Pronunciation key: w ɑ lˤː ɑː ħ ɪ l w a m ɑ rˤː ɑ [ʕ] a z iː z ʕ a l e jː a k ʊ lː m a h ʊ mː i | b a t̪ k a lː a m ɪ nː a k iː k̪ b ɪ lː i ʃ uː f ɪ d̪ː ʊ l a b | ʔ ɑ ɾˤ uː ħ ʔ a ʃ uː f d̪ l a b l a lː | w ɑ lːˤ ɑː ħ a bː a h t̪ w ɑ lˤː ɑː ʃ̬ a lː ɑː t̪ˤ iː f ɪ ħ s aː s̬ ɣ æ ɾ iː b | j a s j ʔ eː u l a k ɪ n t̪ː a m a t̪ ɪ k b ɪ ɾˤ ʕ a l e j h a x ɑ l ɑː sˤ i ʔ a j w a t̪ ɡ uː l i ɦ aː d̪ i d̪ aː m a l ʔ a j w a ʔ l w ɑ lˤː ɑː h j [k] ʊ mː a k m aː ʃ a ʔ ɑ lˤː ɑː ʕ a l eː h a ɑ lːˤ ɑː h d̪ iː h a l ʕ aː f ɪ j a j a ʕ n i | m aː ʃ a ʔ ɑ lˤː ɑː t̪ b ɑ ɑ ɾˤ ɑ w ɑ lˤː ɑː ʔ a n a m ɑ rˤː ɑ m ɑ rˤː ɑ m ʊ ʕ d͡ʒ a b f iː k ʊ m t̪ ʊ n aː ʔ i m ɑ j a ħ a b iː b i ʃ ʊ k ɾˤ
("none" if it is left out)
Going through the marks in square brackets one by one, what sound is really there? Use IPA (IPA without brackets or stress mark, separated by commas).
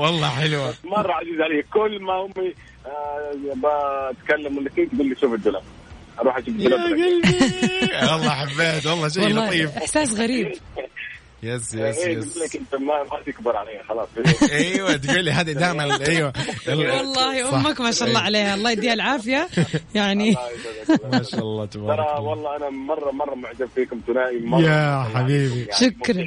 ʕ, ʔ